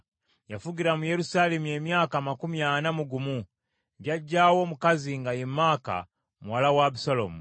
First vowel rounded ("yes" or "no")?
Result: no